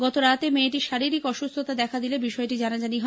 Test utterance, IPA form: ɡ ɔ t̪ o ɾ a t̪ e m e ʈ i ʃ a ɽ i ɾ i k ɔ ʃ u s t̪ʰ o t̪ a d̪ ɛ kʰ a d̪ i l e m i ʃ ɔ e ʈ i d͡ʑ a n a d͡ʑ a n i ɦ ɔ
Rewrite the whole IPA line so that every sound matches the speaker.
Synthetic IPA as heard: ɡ ɔ t̪ o ɾ a t̪ e m e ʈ i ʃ a ɾ i ɾ i k ɔ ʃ u s t̪ʰ o t̪ a d̪ ɛ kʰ a d̪ i l e b i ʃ ɔ e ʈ i d͡ʑ a n a d͡ʑ a n i ɦ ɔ